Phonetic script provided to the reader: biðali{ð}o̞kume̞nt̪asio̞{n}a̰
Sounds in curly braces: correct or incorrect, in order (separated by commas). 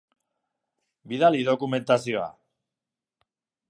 correct, incorrect